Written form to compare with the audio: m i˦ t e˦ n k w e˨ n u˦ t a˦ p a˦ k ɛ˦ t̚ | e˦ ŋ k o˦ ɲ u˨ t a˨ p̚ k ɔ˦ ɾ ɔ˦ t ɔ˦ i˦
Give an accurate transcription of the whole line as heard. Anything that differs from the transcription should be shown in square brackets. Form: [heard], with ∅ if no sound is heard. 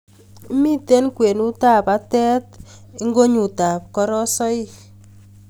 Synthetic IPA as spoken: m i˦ t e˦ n k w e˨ n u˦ t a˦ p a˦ [t] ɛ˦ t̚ | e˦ ŋ [ɡ] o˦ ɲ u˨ t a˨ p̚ k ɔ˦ ɾ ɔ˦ [s] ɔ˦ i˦